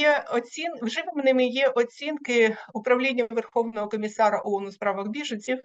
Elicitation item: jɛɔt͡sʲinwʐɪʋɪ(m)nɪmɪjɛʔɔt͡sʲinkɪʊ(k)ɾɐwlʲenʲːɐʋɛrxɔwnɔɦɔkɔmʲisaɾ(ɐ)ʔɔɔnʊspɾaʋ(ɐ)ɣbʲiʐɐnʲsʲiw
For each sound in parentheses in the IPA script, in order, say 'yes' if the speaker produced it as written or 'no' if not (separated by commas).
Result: yes, no, yes, yes